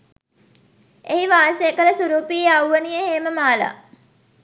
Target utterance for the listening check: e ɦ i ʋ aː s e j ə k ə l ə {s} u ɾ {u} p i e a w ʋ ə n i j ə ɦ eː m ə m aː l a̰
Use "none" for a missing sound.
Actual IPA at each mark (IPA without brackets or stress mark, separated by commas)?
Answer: s, uː